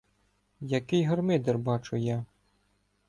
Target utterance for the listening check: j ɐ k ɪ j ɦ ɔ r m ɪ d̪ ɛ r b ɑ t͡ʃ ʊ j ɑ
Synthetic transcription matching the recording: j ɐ k ɪ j ɦ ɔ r m ɪ d̪ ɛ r b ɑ t͡ʃ ʊ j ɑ